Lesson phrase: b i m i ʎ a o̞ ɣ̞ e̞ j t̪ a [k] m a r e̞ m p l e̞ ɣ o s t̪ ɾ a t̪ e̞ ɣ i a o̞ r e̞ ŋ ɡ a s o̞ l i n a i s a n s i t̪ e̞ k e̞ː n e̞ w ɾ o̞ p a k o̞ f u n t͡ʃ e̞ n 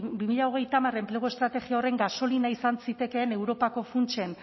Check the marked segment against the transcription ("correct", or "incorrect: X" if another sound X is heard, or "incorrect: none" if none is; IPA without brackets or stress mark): incorrect: none